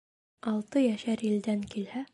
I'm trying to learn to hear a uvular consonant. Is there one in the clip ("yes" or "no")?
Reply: no